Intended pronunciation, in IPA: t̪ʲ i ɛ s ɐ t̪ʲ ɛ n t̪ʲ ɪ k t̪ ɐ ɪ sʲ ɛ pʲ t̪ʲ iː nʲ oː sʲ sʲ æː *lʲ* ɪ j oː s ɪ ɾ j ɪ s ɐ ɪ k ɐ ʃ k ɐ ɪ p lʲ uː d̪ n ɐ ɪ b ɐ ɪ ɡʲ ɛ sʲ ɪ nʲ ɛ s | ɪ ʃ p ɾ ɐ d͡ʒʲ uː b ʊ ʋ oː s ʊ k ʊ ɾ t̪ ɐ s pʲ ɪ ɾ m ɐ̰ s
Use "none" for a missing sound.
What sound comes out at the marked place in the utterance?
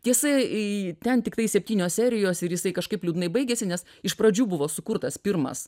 ɾʲ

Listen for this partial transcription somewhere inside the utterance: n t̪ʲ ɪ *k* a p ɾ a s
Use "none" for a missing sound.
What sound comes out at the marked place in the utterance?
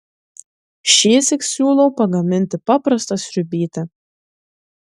p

